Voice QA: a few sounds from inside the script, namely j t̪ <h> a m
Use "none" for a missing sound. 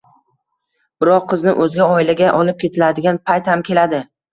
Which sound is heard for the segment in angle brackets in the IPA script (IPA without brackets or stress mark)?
h